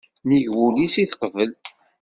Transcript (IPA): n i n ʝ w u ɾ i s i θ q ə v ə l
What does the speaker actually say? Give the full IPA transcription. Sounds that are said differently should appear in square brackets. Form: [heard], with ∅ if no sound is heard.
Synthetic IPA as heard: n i [∅] ʝ w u [l] i s i θ q ə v ə l